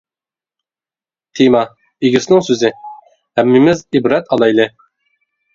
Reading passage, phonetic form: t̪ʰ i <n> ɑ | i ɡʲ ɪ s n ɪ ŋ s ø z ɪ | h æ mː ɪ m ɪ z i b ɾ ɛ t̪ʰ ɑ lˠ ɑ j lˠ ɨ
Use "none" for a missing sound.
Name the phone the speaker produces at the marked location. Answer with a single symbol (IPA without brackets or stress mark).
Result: m